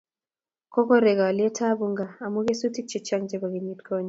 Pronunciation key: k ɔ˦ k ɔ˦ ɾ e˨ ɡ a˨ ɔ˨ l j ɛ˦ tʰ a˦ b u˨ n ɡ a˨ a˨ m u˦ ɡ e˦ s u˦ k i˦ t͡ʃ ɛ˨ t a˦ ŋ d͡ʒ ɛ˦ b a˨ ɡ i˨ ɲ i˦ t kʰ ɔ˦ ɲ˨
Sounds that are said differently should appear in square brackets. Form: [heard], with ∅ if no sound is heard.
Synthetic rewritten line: k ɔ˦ k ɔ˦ ɾ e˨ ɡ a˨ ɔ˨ l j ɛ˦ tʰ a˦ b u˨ [ŋ] ɡ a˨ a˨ m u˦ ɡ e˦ s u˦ [t] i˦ t͡ʃ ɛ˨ [t͡ʃ] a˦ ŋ d͡ʒ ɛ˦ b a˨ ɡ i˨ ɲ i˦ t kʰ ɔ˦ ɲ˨